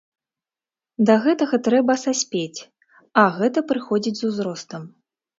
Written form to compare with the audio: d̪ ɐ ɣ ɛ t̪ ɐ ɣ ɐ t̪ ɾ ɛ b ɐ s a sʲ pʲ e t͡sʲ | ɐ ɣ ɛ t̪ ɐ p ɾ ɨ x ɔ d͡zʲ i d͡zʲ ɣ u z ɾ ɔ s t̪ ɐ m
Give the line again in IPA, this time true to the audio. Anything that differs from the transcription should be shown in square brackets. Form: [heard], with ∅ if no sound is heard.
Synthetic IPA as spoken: d̪ ɐ ɣ ɛ t̪ ɐ ɣ ɐ t̪ ɾ ɛ b ɐ s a sʲ pʲ e t͡sʲ | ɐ ɣ ɛ t̪ ɐ p ɾ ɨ x ɔ d͡zʲ i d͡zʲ [z] u z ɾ ɔ s t̪ ɐ m